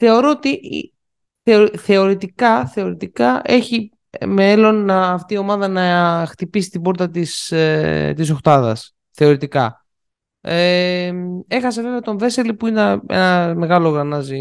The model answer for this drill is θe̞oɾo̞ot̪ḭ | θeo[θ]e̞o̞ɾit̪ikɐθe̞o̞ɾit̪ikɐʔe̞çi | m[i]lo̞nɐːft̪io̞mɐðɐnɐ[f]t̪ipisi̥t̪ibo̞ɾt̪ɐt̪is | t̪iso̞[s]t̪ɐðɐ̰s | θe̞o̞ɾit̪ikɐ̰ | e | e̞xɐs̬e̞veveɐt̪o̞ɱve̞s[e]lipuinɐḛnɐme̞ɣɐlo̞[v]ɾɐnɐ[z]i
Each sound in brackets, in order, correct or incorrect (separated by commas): correct, incorrect, incorrect, incorrect, correct, incorrect, correct